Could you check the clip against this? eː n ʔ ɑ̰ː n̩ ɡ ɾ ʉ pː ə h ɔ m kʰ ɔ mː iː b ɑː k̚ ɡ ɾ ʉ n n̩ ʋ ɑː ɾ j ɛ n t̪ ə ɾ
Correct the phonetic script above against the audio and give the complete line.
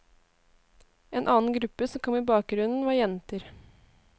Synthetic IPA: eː n ʔ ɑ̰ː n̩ ɡ ɾ ʉ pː ə s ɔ m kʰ ɔ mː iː b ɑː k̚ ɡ ɾ ʉ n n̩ ʋ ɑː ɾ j ɛ n t̪ ə ɾ